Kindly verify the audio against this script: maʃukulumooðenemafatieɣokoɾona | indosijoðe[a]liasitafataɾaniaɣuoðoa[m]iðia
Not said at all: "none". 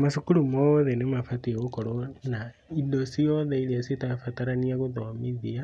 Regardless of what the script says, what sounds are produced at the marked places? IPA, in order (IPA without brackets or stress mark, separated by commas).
i, m